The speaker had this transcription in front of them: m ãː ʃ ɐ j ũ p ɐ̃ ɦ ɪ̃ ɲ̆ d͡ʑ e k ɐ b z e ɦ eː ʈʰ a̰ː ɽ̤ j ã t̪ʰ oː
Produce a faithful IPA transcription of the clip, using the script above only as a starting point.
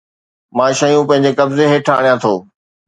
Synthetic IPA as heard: m ãː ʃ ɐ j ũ p ɐ̃ ɦ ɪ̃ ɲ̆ d͡ʑ e k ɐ b z e ɦ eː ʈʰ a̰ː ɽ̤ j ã t̪ʰ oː